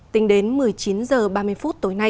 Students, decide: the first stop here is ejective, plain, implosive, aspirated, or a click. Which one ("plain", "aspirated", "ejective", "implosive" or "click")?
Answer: plain